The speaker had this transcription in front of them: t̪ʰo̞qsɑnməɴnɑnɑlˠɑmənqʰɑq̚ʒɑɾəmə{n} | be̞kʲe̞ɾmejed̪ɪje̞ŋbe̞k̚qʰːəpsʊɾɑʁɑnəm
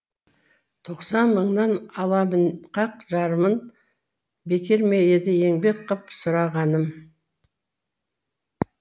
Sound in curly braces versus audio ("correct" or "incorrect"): correct